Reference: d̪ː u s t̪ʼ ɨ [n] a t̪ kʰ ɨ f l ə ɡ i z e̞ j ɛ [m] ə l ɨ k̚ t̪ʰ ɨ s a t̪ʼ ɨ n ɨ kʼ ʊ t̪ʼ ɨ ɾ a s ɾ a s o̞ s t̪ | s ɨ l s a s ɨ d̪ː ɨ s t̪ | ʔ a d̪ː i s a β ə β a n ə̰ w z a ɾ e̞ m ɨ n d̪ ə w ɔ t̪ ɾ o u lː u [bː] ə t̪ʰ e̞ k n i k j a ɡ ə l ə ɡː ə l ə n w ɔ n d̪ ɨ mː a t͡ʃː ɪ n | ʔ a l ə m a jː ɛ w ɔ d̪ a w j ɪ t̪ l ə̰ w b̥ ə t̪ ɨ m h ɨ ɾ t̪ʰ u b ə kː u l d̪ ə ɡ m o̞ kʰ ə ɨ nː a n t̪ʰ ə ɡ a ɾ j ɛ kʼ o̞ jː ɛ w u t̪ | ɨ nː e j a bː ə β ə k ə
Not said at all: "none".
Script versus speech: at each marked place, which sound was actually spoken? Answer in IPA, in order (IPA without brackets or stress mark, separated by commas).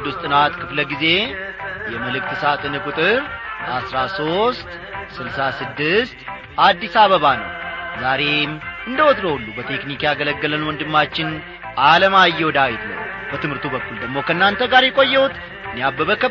n, m, b